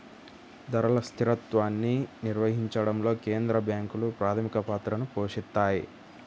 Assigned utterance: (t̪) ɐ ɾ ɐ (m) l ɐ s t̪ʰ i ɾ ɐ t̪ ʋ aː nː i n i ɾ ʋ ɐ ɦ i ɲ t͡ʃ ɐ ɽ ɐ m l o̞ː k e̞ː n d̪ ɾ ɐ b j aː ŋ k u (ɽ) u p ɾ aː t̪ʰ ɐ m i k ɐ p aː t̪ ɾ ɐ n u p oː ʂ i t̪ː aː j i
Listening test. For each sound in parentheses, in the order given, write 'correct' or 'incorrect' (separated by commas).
incorrect, incorrect, incorrect